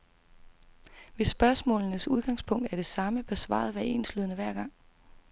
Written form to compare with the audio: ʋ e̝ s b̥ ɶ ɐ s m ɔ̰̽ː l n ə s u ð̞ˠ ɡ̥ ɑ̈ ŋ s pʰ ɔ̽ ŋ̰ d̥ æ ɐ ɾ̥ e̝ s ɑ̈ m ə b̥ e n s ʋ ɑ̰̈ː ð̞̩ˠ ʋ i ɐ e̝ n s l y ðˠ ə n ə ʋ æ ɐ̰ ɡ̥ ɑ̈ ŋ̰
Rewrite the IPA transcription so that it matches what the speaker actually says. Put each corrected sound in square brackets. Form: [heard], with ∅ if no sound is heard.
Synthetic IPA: ʋ e̝ s b̥ ɶ ɐ s m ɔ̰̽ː l n ə s u ð̞ˠ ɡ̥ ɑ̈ ŋ s pʰ ɔ̽ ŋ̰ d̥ æ ɐ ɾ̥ e̝ s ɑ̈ m ə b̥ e [∅] s ʋ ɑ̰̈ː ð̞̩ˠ ʋ [æ] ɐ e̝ n s l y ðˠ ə n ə ʋ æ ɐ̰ ɡ̥ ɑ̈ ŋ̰